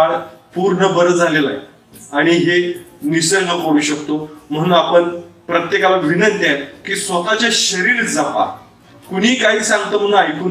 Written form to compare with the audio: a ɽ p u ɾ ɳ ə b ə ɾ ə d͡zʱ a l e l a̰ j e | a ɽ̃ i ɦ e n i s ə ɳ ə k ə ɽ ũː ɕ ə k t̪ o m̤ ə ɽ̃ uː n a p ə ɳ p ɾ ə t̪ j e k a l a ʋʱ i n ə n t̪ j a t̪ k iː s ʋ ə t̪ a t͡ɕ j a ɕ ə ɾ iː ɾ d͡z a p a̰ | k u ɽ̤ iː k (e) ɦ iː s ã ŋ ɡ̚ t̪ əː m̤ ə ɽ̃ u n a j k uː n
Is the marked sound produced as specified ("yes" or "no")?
no